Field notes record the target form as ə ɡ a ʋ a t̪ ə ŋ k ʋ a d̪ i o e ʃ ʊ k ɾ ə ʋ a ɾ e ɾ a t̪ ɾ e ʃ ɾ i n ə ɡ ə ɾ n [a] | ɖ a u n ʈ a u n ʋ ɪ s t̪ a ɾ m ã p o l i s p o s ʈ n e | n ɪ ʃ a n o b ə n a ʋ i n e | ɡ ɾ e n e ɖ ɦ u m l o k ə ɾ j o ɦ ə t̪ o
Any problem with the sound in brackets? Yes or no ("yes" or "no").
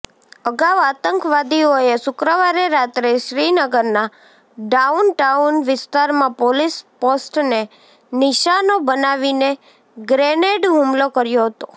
no